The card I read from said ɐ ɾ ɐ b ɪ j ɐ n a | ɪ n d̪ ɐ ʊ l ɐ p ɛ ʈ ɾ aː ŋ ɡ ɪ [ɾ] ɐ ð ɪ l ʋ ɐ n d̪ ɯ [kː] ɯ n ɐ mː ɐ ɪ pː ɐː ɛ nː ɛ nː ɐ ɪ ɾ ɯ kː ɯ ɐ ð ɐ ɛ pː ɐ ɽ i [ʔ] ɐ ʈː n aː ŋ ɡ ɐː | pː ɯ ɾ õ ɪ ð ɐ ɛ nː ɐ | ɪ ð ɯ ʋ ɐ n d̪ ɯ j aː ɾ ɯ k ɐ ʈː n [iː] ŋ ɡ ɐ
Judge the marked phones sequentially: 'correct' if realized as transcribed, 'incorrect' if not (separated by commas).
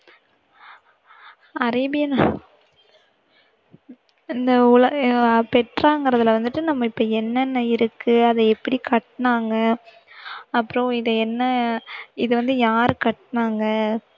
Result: correct, incorrect, incorrect, incorrect